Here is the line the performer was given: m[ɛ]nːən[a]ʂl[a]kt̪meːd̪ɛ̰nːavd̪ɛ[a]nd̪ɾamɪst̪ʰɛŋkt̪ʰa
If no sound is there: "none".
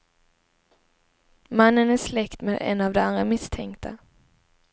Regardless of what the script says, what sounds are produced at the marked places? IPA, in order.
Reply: a, æ, ɛ, a

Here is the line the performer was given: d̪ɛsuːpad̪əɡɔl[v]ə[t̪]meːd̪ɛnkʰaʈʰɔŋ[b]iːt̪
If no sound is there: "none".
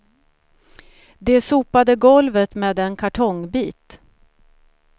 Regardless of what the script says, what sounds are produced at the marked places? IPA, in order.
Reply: v, t̪, b

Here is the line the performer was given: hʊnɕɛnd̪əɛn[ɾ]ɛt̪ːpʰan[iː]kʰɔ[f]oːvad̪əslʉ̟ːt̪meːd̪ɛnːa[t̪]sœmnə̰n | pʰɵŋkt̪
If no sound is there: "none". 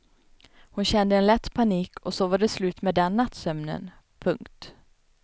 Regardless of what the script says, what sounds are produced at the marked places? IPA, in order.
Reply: l, iː, s, t̪

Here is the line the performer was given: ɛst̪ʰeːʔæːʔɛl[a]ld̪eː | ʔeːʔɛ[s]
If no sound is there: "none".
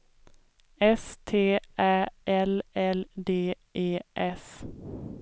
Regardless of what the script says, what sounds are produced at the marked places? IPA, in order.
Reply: ɛ, s

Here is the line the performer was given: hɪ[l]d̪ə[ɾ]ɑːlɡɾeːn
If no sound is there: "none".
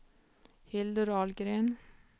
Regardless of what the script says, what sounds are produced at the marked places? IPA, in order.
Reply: l, ɾ

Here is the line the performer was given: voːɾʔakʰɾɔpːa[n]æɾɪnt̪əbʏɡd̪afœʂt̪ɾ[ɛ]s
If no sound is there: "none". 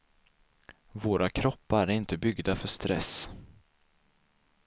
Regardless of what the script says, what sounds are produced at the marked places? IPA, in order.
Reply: none, ɛ

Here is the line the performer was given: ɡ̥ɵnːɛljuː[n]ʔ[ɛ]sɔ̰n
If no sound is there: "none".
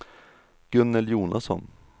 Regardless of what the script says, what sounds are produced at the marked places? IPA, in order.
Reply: n, a

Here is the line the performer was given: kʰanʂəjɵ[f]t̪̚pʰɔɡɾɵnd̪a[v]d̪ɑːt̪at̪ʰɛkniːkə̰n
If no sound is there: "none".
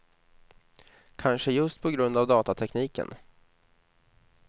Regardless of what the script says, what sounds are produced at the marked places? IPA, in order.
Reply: s, v

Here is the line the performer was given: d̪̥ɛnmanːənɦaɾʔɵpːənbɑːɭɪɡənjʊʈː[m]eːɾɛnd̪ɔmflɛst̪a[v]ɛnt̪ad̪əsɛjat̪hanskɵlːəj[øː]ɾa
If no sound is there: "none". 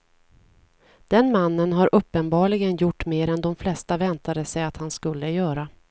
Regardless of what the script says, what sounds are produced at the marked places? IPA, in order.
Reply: m, v, œː

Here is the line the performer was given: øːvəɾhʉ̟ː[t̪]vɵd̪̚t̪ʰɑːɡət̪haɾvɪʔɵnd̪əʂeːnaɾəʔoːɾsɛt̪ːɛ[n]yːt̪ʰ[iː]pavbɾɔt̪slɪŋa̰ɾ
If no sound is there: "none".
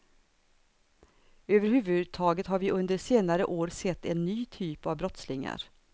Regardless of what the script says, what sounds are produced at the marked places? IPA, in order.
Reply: none, nː, yː

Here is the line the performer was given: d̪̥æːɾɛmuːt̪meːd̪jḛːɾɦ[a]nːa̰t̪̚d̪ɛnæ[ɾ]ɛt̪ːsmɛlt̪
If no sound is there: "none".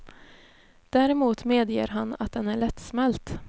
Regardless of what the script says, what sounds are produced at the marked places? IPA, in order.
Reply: a, ɭ

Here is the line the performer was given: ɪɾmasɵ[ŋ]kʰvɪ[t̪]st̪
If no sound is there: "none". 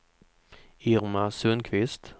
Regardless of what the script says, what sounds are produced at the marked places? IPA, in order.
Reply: n, none

